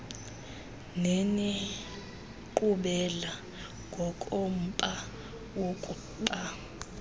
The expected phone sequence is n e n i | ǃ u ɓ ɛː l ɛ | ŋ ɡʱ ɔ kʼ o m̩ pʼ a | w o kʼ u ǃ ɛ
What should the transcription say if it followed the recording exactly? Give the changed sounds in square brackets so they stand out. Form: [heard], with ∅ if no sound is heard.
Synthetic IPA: n e n i | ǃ u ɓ [ɛ] l [a] | ŋ ɡʱ ɔ kʼ o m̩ pʼ a | w o kʼ u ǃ [a]